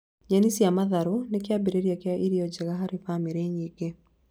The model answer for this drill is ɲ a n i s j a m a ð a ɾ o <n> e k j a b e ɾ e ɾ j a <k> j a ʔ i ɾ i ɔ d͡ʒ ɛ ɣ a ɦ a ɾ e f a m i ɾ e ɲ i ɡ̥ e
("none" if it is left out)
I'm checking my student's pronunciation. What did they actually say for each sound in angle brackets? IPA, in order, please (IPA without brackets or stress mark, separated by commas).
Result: n, k